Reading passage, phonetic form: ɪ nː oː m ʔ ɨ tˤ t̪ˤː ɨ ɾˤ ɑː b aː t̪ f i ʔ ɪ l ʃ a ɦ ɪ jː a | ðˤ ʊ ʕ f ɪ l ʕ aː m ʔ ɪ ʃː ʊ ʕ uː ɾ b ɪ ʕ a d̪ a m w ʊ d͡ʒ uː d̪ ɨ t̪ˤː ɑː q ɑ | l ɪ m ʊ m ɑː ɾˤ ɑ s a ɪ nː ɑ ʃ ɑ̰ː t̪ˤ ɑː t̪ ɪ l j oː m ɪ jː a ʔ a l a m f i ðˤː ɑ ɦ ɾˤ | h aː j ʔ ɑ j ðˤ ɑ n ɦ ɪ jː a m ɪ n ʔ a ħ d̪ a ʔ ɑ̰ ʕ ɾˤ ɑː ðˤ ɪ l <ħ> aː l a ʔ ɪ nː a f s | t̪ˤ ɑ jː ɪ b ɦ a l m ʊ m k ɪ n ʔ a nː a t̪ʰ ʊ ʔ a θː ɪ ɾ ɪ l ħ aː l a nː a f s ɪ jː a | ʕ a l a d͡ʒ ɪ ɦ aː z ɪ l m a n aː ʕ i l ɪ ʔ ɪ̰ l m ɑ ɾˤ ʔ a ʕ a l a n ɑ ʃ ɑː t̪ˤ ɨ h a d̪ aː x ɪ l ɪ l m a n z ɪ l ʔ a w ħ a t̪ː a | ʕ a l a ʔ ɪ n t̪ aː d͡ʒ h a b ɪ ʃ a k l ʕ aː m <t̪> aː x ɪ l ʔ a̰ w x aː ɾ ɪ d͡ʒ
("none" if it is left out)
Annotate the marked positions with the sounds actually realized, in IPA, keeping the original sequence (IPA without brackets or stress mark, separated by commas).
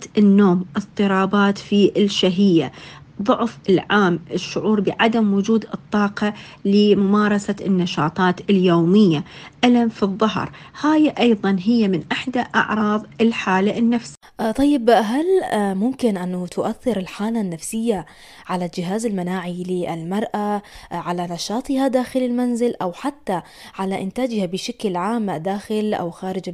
ħ, d̪